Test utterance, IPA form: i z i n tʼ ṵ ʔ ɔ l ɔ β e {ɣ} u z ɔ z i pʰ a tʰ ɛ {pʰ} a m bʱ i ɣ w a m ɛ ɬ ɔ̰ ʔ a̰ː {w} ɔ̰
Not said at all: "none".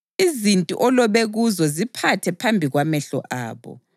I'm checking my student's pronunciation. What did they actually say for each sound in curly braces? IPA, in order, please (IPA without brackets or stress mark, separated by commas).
ɣ, pʰ, β